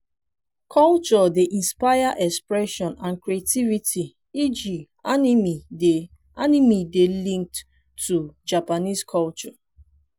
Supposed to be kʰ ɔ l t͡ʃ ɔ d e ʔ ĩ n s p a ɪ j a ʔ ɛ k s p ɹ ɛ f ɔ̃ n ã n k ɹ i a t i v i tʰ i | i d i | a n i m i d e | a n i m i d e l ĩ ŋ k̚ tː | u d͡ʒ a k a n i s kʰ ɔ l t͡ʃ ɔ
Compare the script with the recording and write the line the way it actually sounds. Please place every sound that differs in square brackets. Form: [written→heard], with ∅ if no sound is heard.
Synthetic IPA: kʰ ɔ l t͡ʃ ɔ d e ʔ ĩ n s p a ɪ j a ʔ ɛ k s p ɹ ɛ [f→ʃ] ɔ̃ n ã n k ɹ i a t i v i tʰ i | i [d→d͡ʒ] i | a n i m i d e | a n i m i d e l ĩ ŋ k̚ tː | u d͡ʒ a [k→p] a n i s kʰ ɔ l t͡ʃ ɔ